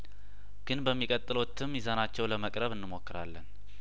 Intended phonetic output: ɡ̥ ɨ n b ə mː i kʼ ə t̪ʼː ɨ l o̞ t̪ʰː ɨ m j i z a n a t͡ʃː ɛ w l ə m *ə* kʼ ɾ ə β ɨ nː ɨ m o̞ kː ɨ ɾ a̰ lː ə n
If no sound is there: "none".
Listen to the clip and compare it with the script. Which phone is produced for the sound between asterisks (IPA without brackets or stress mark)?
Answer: ə